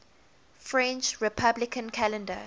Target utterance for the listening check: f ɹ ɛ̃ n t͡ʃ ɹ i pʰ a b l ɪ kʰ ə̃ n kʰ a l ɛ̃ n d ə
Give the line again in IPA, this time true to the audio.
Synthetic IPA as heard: f ɹ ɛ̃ n t͡ʃ ɹ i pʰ a b l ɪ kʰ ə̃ n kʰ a l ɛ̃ n d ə